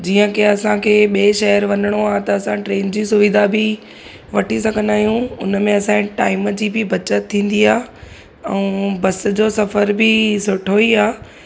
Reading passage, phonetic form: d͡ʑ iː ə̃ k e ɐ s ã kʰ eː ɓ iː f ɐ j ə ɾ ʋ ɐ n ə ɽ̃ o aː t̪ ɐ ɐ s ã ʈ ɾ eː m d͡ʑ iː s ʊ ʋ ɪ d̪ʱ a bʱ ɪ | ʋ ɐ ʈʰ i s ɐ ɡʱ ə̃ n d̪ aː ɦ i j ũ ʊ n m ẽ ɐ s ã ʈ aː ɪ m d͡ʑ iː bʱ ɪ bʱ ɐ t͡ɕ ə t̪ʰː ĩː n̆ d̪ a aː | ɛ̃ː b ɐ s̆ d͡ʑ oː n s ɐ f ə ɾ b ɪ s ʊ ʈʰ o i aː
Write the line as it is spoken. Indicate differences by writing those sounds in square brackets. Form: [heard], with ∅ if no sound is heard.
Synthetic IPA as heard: d͡ʑ iː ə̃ k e ɐ s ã kʰ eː ɓ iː [ʃ] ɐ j ə ɾ ʋ ɐ n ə ɽ̃ o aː t̪ ɐ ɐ s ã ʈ ɾ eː [n] d͡ʑ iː s ʊ ʋ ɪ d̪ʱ a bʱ ɪ | ʋ ɐ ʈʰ i s ɐ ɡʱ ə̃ n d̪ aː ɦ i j ũ ʊ n m ẽ ɐ s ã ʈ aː ɪ m d͡ʑ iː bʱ ɪ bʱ ɐ t͡ɕ ə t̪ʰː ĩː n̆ d̪ [i] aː | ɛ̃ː b ɐ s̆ d͡ʑ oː [∅] s ɐ f ə ɾ b ɪ s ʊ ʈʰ o i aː